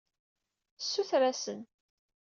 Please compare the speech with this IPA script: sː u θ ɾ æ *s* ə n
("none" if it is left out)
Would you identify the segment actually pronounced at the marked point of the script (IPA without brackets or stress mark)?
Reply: s